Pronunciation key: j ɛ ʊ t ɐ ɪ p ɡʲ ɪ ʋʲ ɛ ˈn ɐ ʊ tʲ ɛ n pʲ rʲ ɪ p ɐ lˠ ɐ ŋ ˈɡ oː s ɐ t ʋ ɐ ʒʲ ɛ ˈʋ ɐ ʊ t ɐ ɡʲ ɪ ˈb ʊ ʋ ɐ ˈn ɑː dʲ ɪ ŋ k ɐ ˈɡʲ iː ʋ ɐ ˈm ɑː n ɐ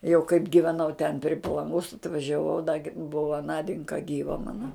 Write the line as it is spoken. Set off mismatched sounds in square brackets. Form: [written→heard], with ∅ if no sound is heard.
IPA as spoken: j ɛ ʊ [t→k] ɐ ɪ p ɡʲ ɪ ʋʲ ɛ ˈn ɐ ʊ tʲ ɛ n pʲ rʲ ɪ p ɐ lˠ ɐ ŋ ˈɡ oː s ɐ t ʋ ɐ ʒʲ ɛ ˈʋ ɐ ʊ [t→d] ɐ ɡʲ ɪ ˈb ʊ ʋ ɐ ˈn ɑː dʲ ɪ ŋ k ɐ ˈɡʲ iː ʋ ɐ ˈm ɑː n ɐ

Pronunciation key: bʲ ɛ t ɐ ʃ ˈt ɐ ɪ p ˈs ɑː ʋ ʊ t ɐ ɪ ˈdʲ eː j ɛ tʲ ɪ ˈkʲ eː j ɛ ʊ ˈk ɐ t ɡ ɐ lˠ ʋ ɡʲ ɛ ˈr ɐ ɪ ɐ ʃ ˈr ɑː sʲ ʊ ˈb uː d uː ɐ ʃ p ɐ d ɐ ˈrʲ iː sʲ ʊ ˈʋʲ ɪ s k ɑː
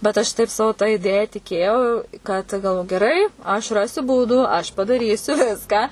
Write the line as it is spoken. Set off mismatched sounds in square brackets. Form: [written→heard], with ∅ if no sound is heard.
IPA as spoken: bʲ ɛ t ɐ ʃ ˈt ɐ ɪ p ˈs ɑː ʋ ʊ t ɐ ɪ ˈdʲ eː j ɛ tʲ ɪ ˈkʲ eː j ɛ ʊ ˈk ɐ t ɡ ɐ lˠ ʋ ɡʲ ɛ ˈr ɐ ɪ ɐ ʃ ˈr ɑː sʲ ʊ ˈb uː d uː ɐ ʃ p ɐ d ɐ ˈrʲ iː sʲ ʊ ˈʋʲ ɪ s k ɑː

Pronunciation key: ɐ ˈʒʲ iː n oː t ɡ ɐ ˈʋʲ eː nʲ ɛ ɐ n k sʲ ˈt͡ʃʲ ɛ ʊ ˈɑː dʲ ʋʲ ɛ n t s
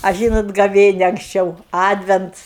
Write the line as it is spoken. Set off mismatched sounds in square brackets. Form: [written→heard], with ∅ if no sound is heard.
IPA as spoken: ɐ ˈʒʲ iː n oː t ɡ ɐ ˈʋʲ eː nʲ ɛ ɐ [n→ŋ] k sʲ ˈt͡ʃʲ ɛ ʊ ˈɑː dʲ ʋʲ ɛ n t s

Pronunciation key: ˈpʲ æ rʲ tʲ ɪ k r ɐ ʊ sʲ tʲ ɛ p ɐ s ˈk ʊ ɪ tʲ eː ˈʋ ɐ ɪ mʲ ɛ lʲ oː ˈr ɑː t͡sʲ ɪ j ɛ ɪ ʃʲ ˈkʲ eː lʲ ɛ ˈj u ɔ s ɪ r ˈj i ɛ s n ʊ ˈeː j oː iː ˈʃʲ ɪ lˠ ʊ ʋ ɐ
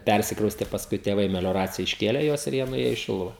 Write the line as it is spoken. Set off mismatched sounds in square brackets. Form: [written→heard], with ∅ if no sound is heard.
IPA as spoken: ˈpʲ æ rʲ [tʲ→sʲ] ɪ k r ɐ ʊ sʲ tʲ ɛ p ɐ s ˈk ʊ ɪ tʲ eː ˈʋ ɐ ɪ mʲ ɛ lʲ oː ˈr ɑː t͡sʲ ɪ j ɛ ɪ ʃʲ ˈkʲ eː lʲ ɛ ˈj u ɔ s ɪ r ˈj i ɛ [s→∅] n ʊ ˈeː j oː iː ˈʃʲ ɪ lˠ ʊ ʋ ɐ

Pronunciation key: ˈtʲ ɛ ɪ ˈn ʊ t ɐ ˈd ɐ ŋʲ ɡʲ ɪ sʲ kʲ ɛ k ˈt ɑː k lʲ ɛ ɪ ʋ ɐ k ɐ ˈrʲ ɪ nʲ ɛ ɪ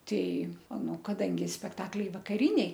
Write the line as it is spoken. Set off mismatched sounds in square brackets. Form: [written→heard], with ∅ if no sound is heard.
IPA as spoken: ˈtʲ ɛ ɪ ˈn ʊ [t→k] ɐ ˈd ɐ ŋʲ ɡʲ ɪ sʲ [kʲ→pʲ] ɛ k ˈt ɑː k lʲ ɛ ɪ ʋ ɐ k ɐ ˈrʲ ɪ nʲ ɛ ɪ

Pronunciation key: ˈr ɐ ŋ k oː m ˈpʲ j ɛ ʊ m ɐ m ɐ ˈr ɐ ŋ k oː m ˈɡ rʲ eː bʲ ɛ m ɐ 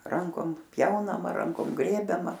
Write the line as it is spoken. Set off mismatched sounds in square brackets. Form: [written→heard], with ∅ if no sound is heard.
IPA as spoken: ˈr ɐ ŋ k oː m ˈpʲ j ɛ ʊ [m→n] ɐ m ɐ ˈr ɐ ŋ k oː m ˈɡ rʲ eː bʲ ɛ m ɐ

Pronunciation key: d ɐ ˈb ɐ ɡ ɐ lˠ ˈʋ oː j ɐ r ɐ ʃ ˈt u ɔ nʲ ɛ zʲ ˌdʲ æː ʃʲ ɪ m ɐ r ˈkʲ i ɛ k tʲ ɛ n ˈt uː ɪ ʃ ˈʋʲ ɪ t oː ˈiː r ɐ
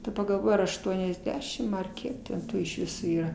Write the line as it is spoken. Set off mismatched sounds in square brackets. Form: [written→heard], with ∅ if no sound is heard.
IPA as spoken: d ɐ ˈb ɐ ɡ ɐ lˠ ˈʋ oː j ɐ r ɐ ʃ ˈt u ɔ nʲ ɛ zʲ ˌdʲ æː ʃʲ ɪ m ɐ r ˈkʲ i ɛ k tʲ ɛ n ˈt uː ɪ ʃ ˈʋʲ ɪ [t→s] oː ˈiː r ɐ

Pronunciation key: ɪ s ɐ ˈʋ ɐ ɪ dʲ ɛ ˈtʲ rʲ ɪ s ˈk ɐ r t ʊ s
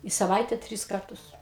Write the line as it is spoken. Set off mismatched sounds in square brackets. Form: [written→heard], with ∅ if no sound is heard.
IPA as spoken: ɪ s ɐ ˈʋ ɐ ɪ [dʲ→tʲ] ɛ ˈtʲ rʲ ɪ s ˈk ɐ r t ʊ s

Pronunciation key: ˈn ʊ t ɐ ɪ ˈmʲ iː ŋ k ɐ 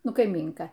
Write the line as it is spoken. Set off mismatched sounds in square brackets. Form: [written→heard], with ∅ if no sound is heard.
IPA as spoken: ˈn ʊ [t→k] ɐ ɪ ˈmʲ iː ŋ k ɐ

